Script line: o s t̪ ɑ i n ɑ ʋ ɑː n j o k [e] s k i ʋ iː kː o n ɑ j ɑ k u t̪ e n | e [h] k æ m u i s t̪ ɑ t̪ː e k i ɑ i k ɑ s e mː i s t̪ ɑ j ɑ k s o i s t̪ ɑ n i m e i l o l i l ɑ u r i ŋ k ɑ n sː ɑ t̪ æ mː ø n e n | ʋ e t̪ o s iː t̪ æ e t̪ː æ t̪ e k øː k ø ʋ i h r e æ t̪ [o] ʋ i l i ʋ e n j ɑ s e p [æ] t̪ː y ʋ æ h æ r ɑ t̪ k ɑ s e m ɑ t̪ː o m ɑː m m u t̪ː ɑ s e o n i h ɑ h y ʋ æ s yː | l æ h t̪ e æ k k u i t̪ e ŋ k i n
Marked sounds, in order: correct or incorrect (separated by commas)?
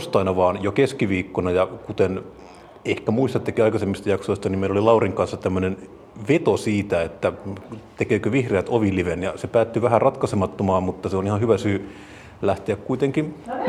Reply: correct, correct, correct, incorrect